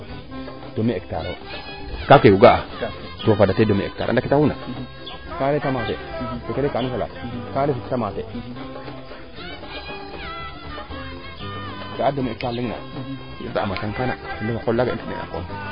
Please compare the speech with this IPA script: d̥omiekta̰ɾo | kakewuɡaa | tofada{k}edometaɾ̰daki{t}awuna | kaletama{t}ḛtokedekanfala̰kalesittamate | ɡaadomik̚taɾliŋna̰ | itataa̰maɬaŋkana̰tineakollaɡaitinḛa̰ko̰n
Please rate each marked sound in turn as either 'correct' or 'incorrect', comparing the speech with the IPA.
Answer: incorrect, correct, correct

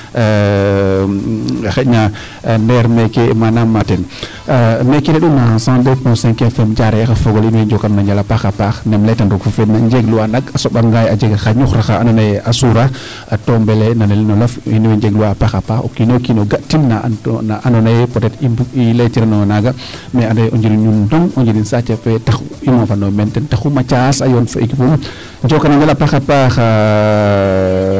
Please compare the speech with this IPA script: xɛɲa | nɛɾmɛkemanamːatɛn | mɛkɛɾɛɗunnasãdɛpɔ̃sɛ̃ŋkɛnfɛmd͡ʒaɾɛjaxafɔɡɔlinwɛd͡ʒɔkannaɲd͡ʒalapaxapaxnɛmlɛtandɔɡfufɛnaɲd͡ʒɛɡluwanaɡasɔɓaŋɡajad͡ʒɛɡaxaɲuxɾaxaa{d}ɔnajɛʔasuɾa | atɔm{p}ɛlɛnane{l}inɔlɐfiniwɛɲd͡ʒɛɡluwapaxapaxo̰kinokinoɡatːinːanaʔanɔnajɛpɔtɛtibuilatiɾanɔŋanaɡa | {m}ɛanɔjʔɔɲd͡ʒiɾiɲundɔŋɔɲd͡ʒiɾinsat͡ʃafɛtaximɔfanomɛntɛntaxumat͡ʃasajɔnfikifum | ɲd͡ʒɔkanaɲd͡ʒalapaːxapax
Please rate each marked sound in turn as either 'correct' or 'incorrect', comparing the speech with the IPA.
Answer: incorrect, incorrect, correct, correct

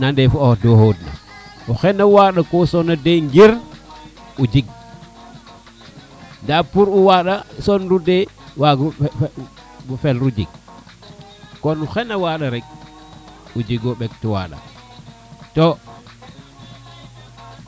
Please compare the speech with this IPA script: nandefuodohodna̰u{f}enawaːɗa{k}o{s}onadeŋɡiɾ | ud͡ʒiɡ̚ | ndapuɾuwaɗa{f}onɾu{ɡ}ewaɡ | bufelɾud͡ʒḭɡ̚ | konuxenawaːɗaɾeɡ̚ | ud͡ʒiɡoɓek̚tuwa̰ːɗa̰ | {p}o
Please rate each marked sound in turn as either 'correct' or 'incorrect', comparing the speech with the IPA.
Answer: incorrect, correct, correct, incorrect, incorrect, incorrect

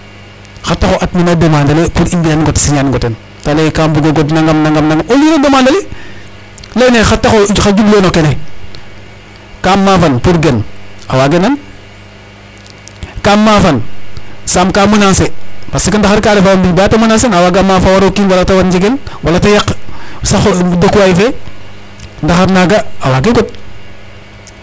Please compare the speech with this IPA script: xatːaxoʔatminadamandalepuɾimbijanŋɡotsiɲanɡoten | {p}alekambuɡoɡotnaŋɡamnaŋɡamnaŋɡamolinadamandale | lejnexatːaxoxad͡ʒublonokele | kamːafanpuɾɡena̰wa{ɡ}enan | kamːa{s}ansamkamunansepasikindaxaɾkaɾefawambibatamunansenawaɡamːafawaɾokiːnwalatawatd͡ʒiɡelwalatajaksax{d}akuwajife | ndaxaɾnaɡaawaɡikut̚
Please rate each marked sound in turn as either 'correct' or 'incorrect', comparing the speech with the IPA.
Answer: incorrect, correct, incorrect, correct

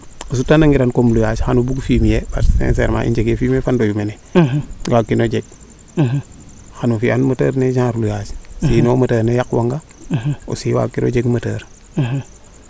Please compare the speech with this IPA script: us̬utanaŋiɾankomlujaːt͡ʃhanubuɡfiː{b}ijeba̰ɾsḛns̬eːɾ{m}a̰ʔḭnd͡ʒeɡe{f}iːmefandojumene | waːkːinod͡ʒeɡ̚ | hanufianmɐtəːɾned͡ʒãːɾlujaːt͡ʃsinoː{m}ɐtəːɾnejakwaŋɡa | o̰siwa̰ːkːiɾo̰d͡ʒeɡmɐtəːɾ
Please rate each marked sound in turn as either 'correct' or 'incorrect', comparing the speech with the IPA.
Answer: incorrect, correct, correct, correct

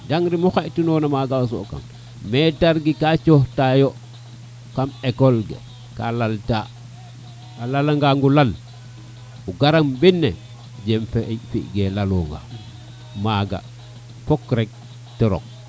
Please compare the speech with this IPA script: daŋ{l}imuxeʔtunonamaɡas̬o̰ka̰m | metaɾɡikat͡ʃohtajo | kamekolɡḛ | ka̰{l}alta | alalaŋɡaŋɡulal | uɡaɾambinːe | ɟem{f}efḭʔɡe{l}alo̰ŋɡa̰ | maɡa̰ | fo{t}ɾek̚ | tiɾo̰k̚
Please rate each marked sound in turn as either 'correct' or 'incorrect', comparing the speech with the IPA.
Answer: incorrect, correct, correct, correct, incorrect

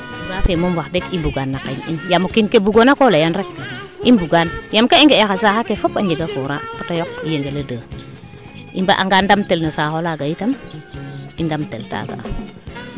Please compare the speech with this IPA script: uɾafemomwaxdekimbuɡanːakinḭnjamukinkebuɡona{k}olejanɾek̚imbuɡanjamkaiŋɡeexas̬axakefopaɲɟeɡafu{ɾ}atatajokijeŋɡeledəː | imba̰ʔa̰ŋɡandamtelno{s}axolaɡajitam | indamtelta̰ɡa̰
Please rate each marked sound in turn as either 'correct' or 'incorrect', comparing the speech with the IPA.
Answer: correct, correct, correct

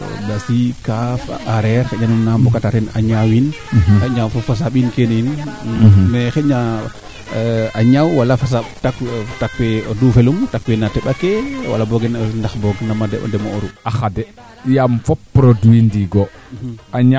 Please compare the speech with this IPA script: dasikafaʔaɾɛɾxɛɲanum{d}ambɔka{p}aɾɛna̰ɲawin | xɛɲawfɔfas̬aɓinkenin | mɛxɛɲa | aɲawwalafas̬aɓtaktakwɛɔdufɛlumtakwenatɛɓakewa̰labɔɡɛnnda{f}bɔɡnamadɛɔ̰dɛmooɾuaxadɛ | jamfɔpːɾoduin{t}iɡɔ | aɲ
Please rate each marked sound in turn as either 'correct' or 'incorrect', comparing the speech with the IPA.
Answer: incorrect, incorrect, incorrect, incorrect

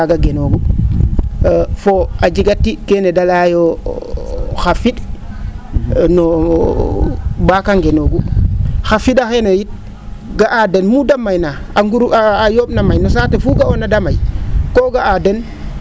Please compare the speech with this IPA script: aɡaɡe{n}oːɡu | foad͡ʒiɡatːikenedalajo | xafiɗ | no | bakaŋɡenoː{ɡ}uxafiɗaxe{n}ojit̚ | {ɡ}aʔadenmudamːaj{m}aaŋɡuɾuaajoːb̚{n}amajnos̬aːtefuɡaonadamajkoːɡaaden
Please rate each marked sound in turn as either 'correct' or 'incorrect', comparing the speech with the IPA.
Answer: correct, correct, correct, correct, incorrect, correct

